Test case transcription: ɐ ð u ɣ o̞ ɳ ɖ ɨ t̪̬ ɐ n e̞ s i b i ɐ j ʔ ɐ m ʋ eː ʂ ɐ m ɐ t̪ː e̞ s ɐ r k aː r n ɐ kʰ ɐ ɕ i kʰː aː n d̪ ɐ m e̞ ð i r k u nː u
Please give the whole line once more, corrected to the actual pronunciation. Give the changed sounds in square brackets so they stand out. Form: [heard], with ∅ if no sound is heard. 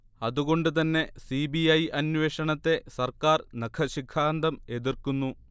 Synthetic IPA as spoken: ɐ ð u ɣ o̞ ɳ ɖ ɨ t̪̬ ɐ [nː] e̞ s i b i ɐ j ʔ ɐ [n] ʋ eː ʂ ɐ [ɳ] ɐ t̪ː e̞ s ɐ r k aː r n ɐ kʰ ɐ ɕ i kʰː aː n d̪ ɐ m e̞ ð i r k u nː u